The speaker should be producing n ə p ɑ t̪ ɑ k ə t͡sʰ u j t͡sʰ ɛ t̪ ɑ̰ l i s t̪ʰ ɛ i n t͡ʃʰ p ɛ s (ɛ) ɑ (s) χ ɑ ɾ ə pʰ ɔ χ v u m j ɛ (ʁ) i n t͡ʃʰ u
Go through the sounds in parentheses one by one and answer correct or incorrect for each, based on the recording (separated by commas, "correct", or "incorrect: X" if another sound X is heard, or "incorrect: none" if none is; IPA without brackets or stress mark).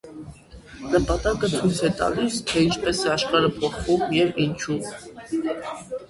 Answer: correct, incorrect: ʃ, incorrect: v